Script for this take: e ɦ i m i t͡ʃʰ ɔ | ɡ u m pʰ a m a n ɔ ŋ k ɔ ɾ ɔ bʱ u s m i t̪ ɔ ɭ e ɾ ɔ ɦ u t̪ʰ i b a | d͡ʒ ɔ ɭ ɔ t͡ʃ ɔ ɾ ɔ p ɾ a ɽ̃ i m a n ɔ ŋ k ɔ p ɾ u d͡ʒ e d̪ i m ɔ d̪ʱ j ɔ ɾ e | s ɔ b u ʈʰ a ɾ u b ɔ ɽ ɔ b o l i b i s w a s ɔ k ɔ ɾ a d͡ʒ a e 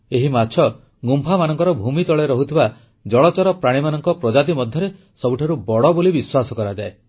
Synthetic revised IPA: e ɦ i m a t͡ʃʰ ɔ | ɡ u m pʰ a m a n ɔ ŋ k ɔ ɾ ɔ bʱ u m i t̪ ɔ ɭ e ɾ ɔ ɦ u t̪ʰ i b a | d͡ʒ ɔ ɭ ɔ t͡ʃ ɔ ɾ ɔ p ɾ a ɽ̃ i m a n ɔ ŋ k ɔ p ɾ ɔ d͡ʒ a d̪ i m ɔ d̪ʱ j ɔ ɾ e | s ɔ b u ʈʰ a ɾ u b ɔ ɽ ɔ b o l i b i s w a s ɔ k ɔ ɾ a d͡ʒ a e